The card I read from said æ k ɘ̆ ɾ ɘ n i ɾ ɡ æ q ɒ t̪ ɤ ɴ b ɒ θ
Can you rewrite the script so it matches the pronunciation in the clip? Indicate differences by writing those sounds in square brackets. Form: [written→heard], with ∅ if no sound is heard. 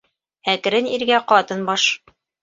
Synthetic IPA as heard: æ k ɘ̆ ɾ ɘ n i ɾ ɡ æ q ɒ t̪ ɤ [ɴ→n] b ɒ [θ→ʃ]